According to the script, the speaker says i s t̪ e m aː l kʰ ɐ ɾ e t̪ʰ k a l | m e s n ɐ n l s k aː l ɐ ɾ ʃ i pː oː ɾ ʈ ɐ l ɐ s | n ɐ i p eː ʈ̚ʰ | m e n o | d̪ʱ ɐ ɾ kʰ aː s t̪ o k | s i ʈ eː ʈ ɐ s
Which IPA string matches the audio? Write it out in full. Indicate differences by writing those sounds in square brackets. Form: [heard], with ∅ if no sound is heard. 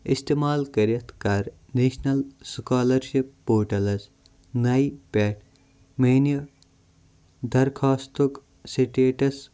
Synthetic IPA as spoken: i s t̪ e m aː l [k] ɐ ɾ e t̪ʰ k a [ɾ] | [n] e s n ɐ [∅] l s k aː l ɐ ɾ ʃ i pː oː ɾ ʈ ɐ l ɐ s | n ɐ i p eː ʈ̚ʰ | m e n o | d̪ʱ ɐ ɾ kʰ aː s t̪ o k | s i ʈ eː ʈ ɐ s